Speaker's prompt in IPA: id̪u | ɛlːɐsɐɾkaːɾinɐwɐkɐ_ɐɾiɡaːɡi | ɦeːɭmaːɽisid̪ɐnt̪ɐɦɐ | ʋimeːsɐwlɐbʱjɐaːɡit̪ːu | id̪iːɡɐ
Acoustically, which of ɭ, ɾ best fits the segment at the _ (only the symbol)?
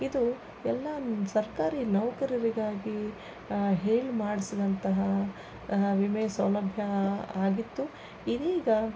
ɾ